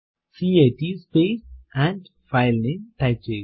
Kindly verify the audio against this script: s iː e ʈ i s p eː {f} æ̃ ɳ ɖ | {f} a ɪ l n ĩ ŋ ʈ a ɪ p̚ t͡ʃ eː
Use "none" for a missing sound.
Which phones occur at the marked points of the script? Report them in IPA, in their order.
s, f

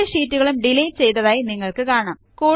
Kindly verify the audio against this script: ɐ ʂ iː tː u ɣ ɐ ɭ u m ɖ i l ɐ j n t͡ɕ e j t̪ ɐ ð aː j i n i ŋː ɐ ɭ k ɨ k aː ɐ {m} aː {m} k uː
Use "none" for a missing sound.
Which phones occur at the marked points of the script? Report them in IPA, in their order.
ɳ, m

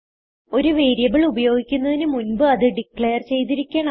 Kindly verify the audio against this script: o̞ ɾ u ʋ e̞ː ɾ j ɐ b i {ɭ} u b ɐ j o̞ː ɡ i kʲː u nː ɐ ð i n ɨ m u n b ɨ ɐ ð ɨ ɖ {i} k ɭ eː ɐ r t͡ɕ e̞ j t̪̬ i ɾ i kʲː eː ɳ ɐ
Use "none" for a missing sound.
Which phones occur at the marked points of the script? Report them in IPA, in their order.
ɭ, i

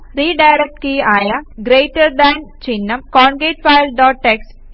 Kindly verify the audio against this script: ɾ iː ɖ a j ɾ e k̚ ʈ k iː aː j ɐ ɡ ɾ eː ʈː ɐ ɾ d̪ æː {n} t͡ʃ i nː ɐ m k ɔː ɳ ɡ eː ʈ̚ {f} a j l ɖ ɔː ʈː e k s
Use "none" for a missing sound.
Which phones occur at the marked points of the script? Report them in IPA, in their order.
n, f

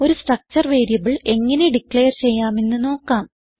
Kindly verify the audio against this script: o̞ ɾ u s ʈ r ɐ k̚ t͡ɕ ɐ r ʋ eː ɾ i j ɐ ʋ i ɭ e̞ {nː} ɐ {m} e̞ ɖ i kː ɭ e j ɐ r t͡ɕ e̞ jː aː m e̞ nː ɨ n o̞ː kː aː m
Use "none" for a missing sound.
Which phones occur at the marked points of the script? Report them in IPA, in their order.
ŋː, n

